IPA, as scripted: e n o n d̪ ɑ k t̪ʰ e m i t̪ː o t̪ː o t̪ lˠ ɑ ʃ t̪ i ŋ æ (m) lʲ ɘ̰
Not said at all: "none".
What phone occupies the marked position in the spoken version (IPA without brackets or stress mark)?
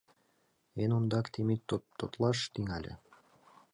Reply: none